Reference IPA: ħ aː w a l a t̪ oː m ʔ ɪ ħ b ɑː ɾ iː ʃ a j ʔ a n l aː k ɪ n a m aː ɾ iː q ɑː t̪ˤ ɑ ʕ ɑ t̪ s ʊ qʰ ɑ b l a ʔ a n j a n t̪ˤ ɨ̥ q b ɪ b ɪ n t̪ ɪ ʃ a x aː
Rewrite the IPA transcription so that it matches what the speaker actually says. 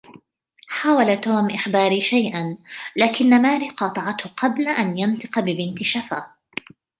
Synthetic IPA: ħ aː w a l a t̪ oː m ʔ ɪ x b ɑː ɾ iː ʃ a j ʔ a n l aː k ɪ nː a m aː ɾ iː q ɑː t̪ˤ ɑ ʕ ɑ t̪ h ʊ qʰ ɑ b l a ʔ a n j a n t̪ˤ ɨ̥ q b ɪ b ɪ n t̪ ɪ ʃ a f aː

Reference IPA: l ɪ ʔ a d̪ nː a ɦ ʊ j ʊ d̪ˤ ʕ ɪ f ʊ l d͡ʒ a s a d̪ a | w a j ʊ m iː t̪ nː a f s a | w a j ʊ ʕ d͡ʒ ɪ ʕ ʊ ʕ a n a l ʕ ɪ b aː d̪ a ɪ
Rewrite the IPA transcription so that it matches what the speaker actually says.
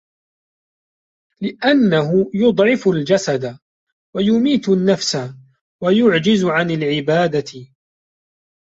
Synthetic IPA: l ɪ ʔ a nː a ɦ ʊ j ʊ d̪ˤ ʕ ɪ f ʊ l d͡ʒ a s a d̪ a | w a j ʊ m iː t̪ nː a f s a | w a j ʊ ʕ d͡ʒ ɪ z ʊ ʕ a n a l ʕ ɪ b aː d̪ a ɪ

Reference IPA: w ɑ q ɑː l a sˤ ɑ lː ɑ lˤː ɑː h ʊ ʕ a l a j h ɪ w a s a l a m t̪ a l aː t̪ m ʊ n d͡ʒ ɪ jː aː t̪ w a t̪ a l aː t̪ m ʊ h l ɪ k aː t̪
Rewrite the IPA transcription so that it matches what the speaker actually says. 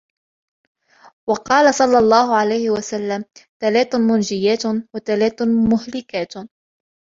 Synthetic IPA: w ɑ q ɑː l a sˤ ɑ lː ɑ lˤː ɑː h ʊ ʕ a l a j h ɪ w a s a lː a m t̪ a l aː t̪ m ʊ n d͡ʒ ɪ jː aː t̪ w a t̪ a l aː t̪ m ʊ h l ɪ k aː t̪

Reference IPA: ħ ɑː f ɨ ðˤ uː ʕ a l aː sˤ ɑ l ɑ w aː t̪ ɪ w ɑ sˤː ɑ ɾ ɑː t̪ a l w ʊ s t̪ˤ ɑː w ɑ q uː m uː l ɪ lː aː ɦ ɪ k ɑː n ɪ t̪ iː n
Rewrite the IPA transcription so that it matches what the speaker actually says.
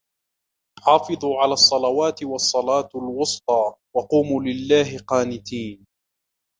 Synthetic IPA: ħ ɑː f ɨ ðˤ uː ʕ a l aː sˤː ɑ l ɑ w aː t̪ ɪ w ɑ sˤː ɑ l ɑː t̪ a l w ʊ s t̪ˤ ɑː w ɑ q uː m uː l ɪ lː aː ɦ ɪ q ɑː n ɪ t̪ iː n

